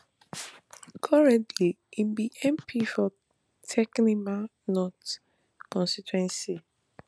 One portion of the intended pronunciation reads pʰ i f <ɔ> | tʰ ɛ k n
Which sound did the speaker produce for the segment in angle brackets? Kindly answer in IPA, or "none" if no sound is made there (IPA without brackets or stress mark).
ɔ